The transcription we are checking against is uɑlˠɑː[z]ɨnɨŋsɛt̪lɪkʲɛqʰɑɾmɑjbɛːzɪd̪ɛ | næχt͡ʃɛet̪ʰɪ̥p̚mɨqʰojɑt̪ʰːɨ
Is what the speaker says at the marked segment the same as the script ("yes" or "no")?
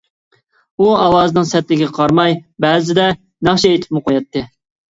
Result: yes